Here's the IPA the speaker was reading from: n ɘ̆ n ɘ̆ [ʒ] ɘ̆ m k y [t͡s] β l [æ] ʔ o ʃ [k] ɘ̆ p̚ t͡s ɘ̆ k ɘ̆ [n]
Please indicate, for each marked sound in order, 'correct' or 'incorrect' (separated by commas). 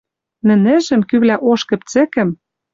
correct, incorrect, correct, correct, incorrect